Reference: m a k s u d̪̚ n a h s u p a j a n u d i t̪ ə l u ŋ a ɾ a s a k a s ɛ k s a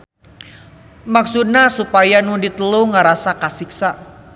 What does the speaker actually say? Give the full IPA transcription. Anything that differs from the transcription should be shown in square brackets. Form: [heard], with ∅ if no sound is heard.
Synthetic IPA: m a k s u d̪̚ n a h s u p a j a n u d i t̪ ə l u ŋ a ɾ a s a k a s [i] k s a

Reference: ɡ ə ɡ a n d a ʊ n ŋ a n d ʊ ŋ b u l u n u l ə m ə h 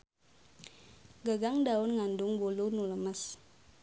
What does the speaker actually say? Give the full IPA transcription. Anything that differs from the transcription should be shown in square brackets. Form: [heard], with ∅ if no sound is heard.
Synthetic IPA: ɡ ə ɡ a [ŋ] d a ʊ n ŋ a n d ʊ ŋ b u l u n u l ə m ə [s]

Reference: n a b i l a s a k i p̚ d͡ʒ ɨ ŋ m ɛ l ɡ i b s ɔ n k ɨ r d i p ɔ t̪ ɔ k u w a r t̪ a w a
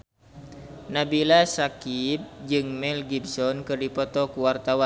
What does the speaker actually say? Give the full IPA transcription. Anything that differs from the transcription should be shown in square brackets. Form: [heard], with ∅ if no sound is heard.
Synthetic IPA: n a b i l a s a k i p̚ d͡ʒ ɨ ŋ m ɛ l ɡ i b s ɔ n k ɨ r d i p ɔ t̪ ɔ k u w a r t̪ a w a

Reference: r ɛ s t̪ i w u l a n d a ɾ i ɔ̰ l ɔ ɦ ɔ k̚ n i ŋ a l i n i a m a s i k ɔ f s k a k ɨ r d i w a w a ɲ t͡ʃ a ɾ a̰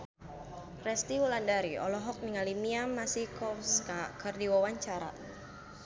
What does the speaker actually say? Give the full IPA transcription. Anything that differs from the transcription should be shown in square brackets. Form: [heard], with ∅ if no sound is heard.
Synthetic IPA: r ɛ s t̪ i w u l a n d a ɾ i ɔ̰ l ɔ ɦ ɔ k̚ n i ŋ a l i [m] i a m a s i k ɔ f s k a k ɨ r d i w a w a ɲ t͡ʃ a ɾ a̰

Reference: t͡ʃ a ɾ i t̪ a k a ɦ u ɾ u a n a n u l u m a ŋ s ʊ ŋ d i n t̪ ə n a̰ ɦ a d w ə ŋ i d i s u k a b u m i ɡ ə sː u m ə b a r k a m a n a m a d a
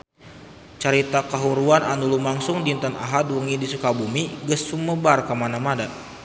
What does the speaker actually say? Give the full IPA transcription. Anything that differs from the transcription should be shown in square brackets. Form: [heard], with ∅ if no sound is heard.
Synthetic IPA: t͡ʃ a ɾ i t̪ a k a ɦ u ɾ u a n a n u l u m a ŋ s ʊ ŋ d i n t̪ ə n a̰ ɦ a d w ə ŋ i d i s u k a b u m i ɡ ə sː u m ə b a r k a m a n a m a d a

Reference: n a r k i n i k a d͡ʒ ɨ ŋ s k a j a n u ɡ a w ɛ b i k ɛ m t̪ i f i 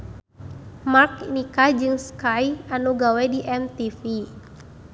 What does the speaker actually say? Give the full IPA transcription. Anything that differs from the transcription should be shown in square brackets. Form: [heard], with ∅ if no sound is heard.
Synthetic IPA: [m] a r k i n i k a d͡ʒ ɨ ŋ s k a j a n u ɡ a w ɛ [d] i [ʔ] ɛ m t̪ i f i

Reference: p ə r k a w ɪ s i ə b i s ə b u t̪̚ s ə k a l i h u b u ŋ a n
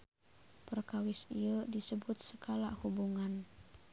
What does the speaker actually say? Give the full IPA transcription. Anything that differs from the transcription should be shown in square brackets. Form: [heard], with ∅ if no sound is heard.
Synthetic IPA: p ə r k a w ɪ s i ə [d] i s ə b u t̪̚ s ə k a l [a] h u b u ŋ a n

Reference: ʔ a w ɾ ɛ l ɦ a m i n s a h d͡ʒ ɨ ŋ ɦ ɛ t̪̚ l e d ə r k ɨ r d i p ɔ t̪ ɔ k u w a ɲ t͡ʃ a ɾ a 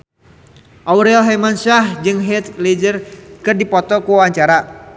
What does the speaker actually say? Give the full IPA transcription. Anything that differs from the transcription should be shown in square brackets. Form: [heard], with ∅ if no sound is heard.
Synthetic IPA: ʔ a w ɾ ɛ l ɦ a m [a] n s a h d͡ʒ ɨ ŋ ɦ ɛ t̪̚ l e [d͡ʒ] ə r k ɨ r d i p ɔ t̪ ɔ k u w a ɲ t͡ʃ a ɾ a

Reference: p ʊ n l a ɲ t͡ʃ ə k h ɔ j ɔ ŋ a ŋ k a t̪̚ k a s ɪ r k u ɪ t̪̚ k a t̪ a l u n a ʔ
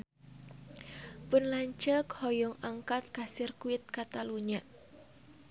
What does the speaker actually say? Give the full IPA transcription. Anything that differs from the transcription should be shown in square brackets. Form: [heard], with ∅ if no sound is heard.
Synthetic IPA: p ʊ n l a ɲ t͡ʃ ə k h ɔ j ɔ ŋ a ŋ k a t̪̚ k a s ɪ r k u ɪ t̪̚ k a t̪ a l u [ɲ] a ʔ

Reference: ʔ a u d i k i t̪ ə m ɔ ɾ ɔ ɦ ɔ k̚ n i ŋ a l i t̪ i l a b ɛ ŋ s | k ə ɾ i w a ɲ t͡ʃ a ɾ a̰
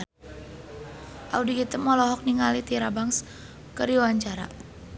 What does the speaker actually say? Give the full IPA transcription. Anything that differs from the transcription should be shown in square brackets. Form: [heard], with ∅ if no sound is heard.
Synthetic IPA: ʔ a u d i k i t̪ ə m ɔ [l] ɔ ɦ ɔ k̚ n i ŋ a l i t̪ i [ɾ] a b [a] ŋ s | k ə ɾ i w a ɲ t͡ʃ a ɾ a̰

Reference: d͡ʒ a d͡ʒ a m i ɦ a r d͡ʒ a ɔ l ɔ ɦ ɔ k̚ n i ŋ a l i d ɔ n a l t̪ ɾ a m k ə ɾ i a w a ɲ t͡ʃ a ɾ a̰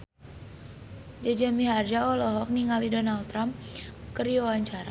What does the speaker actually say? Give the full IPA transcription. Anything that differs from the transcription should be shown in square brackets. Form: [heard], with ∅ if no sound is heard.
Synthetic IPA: d͡ʒ a d͡ʒ a m i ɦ a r d͡ʒ a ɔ l ɔ ɦ ɔ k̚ n i ŋ a l i d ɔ n a l t̪ ɾ a m k ə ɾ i a w a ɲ t͡ʃ a ɾ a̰

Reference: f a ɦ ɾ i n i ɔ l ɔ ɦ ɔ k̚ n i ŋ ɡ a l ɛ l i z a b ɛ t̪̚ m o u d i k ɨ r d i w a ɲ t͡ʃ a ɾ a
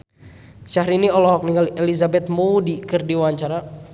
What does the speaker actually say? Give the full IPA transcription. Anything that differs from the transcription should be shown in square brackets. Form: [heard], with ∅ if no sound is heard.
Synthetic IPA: [ʃ] a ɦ ɾ i n i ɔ l ɔ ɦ ɔ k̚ n i ŋ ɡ a l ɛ l i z a b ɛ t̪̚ m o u d i k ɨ r d i w a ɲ t͡ʃ a ɾ a

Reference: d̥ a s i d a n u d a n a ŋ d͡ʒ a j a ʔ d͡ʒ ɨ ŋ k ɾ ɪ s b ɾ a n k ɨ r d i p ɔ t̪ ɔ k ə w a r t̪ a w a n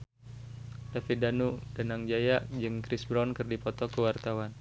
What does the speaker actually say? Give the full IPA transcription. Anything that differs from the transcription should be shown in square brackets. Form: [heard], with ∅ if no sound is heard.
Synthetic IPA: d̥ a [f] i d a n u d a n a ŋ d͡ʒ a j a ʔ d͡ʒ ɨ ŋ k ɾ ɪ s b ɾ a n k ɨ r d i p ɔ t̪ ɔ k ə w a r t̪ a w a n

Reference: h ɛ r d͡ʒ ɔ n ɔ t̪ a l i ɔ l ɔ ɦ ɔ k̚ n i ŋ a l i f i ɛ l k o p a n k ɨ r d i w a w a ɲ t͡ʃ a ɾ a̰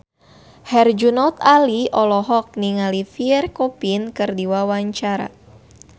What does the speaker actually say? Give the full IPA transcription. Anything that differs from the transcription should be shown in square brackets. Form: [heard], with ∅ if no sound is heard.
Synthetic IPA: h ɛ r d͡ʒ [u] n ɔ t̪ a l i ɔ l ɔ ɦ ɔ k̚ n i ŋ a l i f i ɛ [r] k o p [i] n k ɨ r d i w a w a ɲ t͡ʃ a ɾ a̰

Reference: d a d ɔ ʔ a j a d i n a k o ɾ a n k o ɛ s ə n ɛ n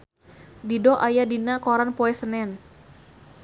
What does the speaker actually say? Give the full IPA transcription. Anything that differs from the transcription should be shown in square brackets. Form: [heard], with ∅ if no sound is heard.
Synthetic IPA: d [i] d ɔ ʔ a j a d i n a k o ɾ a n [p] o ɛ s ə n ɛ n

